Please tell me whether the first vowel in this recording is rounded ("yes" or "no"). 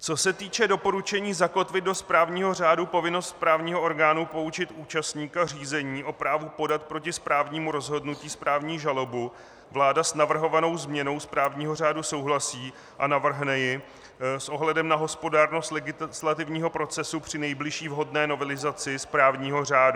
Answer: yes